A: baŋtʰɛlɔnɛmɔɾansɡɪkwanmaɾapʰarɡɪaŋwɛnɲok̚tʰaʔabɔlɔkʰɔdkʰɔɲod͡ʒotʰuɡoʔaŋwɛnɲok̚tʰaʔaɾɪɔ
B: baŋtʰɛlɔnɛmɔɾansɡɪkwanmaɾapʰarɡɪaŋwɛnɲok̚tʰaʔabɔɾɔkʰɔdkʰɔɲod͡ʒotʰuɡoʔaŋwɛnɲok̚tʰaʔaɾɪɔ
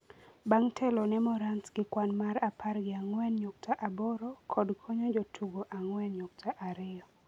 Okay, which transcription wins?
B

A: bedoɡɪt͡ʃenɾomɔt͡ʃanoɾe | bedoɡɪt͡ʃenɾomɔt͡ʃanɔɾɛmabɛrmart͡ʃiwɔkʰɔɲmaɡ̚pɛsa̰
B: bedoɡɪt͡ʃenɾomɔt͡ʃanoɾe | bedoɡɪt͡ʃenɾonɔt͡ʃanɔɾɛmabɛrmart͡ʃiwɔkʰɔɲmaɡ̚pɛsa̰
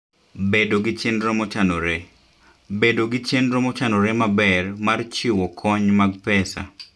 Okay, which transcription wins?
A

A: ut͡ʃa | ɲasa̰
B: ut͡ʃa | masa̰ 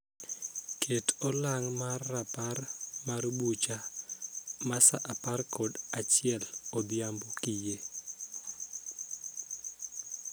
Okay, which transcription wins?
B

